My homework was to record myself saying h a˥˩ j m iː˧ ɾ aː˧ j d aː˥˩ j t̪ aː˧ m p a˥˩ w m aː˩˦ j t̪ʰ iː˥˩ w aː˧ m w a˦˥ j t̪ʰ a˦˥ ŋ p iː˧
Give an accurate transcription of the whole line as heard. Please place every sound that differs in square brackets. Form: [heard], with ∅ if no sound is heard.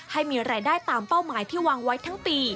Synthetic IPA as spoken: h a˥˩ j m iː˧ ɾ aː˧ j d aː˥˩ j t̪ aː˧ m p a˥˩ w m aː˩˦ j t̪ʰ iː˥˩ w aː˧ [ŋ] w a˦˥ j t̪ʰ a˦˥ ŋ p iː˧